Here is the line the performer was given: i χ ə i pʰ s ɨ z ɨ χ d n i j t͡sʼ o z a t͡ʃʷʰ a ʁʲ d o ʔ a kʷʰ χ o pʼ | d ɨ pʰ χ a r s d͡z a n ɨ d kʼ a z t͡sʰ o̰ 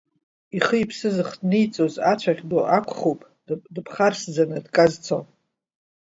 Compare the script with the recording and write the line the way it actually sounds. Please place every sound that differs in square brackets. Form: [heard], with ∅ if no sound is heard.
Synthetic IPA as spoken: i χ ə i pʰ s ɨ z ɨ χ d n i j t͡sʼ o z a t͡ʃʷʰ a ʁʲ d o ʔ a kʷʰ χ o pʼ | d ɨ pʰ χ a r s d͡z a n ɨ d kʼ a z t͡sʰ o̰